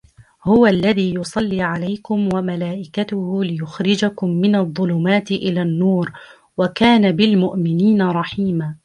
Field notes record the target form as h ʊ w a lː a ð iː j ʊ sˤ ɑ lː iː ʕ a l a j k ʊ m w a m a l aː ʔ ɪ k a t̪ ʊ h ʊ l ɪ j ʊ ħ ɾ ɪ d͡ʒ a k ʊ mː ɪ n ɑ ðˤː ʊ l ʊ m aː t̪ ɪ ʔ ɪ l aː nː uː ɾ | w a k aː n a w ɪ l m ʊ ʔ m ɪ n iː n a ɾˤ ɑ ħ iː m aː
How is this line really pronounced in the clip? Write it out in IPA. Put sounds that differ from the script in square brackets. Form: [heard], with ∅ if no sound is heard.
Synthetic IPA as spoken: h ʊ w a lː a ð iː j ʊ sˤ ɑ lː iː ʕ a l a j k ʊ m w a m a l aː ʔ ɪ k a t̪ ʊ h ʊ l ɪ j ʊ [x] ɾ ɪ d͡ʒ a k ʊ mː ɪ n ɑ ðˤː ʊ l ʊ m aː t̪ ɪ ʔ ɪ l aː nː uː ɾ | w a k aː n a [b] ɪ l m ʊ ʔ m ɪ n iː n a ɾˤ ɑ ħ iː m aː